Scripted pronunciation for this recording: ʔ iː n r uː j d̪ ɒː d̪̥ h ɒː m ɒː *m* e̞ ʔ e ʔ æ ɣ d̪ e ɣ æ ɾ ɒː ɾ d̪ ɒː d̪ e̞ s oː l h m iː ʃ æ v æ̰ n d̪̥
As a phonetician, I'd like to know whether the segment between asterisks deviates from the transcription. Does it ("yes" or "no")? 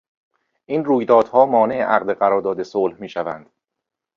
yes